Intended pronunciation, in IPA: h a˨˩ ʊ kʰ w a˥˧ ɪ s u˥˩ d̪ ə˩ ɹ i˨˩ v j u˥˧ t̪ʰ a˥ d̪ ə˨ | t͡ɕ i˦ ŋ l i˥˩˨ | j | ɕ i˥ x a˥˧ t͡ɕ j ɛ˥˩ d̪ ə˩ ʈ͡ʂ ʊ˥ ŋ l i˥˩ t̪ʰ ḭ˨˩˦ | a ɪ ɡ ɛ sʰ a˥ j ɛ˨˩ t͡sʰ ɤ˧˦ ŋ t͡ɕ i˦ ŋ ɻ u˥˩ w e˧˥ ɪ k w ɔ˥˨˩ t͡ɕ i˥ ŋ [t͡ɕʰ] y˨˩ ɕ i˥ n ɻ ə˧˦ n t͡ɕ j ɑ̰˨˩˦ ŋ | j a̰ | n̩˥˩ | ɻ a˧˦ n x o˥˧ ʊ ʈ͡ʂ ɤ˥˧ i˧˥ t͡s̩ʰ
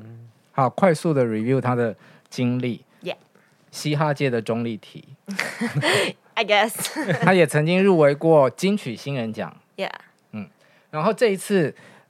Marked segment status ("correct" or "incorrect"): correct